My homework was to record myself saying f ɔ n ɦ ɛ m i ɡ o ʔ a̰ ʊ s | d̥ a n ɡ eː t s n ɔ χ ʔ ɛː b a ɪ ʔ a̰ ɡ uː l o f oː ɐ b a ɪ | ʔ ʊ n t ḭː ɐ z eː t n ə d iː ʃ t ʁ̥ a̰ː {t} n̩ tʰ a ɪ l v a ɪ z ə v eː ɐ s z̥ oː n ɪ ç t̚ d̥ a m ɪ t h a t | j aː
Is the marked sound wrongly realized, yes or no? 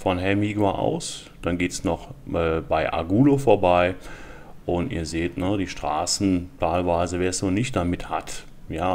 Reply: yes